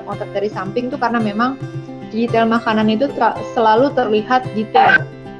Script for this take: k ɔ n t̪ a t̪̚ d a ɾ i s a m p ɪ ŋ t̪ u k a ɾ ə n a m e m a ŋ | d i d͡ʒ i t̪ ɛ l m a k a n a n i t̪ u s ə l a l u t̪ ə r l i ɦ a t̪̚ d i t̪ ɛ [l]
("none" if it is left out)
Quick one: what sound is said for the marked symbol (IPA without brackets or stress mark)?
l